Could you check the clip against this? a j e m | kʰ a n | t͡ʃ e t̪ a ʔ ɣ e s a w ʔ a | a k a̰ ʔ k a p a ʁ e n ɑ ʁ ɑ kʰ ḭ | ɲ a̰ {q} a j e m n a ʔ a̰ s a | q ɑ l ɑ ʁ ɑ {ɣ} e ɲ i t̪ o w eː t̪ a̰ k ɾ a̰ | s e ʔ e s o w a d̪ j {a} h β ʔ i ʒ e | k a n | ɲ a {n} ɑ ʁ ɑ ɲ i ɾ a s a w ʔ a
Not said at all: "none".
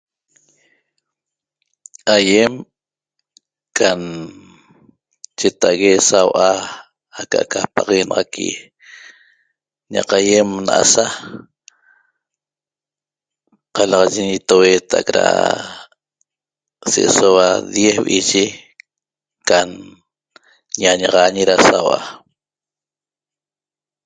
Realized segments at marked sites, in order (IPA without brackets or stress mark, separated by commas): q, ʒ, e, ɲ